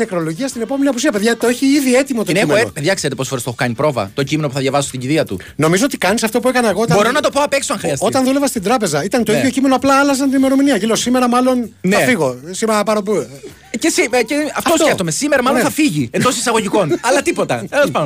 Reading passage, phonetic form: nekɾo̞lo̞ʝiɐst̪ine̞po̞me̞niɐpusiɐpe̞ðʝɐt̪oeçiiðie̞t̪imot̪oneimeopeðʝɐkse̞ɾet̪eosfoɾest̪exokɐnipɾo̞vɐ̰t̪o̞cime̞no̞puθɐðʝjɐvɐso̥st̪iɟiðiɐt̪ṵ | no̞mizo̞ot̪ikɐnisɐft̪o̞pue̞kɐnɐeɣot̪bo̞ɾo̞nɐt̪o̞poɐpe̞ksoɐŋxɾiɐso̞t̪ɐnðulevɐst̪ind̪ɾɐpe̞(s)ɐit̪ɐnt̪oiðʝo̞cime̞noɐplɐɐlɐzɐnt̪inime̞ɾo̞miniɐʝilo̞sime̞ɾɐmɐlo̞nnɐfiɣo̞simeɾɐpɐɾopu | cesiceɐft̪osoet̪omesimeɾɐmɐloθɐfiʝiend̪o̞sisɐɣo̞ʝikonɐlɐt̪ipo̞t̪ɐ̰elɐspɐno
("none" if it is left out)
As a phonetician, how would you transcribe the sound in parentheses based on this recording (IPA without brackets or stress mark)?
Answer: z